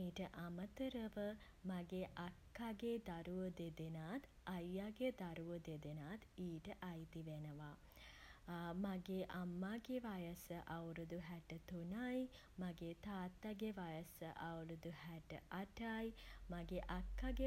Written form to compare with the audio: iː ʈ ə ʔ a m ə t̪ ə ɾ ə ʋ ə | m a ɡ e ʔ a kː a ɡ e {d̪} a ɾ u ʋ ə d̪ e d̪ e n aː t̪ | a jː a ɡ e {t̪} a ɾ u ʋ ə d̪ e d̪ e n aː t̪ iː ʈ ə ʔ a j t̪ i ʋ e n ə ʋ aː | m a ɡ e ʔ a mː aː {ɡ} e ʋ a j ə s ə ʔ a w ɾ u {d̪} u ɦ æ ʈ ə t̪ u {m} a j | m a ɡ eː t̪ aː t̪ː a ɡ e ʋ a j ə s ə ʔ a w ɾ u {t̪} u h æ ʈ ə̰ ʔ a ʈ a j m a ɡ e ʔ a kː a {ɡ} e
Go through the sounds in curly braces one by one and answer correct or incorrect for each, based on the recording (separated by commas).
correct, incorrect, correct, correct, incorrect, incorrect, correct